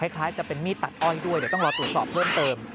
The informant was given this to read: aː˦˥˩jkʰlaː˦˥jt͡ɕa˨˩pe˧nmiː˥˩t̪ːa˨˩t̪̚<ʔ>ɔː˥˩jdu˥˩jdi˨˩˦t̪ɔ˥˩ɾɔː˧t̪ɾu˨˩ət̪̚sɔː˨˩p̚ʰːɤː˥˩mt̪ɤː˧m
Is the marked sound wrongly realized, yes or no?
no